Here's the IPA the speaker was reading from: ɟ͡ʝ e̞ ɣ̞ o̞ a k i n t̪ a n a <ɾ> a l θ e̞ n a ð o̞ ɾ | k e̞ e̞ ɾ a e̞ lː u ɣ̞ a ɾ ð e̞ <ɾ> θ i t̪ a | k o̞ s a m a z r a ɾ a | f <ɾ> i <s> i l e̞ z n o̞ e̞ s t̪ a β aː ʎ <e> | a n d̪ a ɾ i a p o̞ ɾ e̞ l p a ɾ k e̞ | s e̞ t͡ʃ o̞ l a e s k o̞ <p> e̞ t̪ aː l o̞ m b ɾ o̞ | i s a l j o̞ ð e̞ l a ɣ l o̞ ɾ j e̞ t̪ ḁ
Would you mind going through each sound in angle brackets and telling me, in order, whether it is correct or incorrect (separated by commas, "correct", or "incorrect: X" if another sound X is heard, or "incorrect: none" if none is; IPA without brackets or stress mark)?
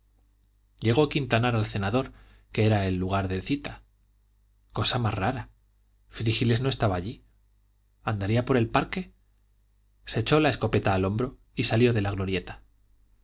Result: correct, incorrect: l, correct, incorrect: x, incorrect: i, correct